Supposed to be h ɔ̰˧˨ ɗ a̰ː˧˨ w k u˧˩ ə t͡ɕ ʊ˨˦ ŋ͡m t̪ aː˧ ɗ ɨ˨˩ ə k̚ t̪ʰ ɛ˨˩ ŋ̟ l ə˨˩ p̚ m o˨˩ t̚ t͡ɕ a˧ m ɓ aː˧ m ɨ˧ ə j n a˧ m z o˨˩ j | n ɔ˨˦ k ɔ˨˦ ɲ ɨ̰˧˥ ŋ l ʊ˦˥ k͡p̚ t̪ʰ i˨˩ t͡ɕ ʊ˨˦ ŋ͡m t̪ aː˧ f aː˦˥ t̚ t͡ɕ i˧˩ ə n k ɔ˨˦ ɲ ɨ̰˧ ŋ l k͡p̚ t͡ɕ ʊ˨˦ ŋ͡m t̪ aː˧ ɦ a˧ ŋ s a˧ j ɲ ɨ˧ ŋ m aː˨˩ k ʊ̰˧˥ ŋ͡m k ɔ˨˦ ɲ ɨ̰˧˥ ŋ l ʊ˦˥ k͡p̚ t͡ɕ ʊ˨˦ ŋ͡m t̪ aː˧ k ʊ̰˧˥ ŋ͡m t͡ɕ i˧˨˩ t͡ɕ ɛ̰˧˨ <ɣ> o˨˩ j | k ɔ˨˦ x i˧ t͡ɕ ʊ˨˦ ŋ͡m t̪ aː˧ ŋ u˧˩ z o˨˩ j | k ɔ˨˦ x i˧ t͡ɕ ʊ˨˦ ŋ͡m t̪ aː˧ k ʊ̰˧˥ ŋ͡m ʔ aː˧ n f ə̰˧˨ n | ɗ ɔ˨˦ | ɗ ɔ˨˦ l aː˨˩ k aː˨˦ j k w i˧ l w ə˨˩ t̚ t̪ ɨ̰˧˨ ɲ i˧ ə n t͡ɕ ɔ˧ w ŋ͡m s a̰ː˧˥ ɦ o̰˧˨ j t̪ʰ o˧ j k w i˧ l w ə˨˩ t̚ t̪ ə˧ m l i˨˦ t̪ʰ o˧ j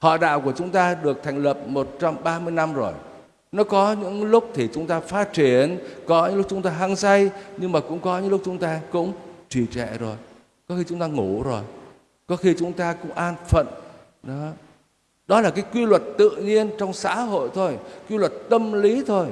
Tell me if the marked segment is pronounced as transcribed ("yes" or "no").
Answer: no